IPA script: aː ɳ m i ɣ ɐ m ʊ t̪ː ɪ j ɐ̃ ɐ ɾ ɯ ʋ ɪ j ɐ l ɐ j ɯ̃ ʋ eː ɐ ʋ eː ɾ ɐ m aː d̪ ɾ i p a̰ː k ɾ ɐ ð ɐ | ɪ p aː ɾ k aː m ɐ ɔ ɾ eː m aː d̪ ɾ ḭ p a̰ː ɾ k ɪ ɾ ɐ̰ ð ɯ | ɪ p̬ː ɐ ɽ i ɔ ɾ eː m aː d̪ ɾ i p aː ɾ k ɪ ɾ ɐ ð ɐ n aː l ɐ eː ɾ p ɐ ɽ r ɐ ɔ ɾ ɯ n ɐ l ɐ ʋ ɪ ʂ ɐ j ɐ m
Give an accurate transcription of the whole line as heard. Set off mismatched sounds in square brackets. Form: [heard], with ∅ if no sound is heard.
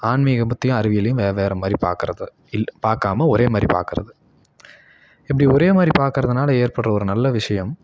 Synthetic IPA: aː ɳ m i ɣ ɐ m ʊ t̪ː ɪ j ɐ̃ ɐ ɾ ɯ ʋ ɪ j ɐ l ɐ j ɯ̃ ʋ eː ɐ ʋ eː ɾ ɐ m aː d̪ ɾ i p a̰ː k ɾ ɐ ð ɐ | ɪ p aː ɾ k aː m ɐ ɔ ɾ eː m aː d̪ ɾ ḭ p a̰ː ɾ k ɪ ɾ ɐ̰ ð ɯ | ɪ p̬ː ɐ ɽ i ɔ ɾ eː m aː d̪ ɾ i p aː ɾ k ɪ ɾ ɐ ð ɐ n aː l ɐ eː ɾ p ɐ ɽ r ɐ ɔ ɾ ɯ n ɐ [lː] ɐ ʋ ɪ ʂ ɐ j ɐ m